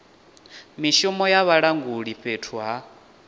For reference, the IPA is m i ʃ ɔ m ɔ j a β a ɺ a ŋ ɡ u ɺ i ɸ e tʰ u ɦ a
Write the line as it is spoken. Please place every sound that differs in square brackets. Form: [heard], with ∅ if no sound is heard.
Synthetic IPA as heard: m i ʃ ɔ m ɔ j a β a ɺ a ŋ ɡ u ɺ i ɸ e tʰ u ɦ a